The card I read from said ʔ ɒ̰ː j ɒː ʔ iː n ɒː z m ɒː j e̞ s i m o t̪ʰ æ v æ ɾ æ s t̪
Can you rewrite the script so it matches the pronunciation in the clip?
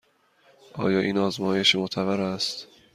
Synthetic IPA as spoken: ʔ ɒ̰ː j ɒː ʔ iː n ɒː z m ɒː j e̞ ʃ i m o t̪ʰ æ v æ ɾ æ s t̪